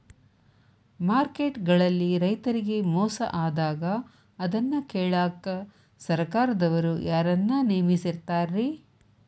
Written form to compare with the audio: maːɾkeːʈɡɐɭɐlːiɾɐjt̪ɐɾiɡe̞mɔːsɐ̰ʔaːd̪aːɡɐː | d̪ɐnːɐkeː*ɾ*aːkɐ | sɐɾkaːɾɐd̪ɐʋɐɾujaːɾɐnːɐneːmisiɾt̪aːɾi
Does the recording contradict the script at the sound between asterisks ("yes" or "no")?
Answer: yes